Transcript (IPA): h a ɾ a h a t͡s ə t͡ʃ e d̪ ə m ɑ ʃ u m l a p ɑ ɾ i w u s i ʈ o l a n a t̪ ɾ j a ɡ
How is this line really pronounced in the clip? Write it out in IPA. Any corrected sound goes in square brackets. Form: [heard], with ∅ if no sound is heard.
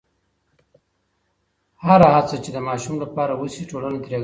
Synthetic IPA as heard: h a ɾ a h a t͡s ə t͡ʃ e d̪ ə m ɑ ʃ u m l a p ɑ ɾ [a] w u s i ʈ o l a n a t̪ ɾ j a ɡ